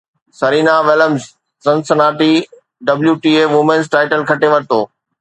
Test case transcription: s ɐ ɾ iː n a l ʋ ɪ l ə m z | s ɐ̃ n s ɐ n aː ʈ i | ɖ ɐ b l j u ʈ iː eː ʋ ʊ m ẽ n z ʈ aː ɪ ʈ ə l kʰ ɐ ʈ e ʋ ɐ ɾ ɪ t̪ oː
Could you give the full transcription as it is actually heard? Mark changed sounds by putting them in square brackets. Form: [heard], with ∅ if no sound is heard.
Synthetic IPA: s ɐ ɾ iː n a [∅] ʋ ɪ l ə m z | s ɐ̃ n s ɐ n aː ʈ i | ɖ ɐ b l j u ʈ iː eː ʋ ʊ m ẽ n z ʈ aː ɪ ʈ ə l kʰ ɐ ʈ e ʋ ɐ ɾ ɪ t̪ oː